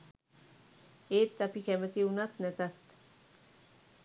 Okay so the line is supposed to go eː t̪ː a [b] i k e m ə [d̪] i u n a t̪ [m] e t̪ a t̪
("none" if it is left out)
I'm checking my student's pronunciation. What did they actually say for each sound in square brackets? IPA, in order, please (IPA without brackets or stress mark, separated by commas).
p, t̪, n